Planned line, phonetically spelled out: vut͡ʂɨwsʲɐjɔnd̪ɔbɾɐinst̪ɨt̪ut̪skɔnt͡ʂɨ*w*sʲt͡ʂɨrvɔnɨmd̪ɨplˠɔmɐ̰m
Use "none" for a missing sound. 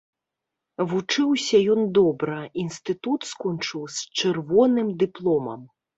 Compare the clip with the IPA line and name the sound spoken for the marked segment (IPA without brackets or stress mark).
w